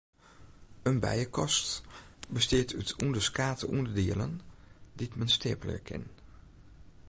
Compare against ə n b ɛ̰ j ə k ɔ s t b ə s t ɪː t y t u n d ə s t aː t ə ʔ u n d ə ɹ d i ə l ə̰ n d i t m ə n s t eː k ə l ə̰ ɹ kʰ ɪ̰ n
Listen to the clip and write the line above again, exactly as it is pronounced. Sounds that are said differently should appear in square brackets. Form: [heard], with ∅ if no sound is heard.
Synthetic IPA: ə n b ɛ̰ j ə k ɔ s t b ə s t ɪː t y t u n d ə s [k] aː t ə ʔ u n d ə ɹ d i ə l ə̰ n d i t m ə n s t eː [p] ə l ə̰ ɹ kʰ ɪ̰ n